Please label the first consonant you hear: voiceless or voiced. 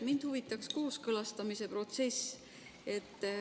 voiced